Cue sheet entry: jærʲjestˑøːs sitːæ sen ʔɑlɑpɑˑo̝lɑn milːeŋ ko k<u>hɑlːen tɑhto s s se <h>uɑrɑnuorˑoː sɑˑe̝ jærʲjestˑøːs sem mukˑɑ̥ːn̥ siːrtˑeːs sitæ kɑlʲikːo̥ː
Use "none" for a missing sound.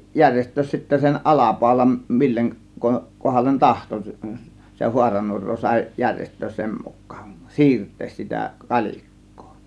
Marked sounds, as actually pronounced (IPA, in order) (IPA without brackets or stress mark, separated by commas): o, h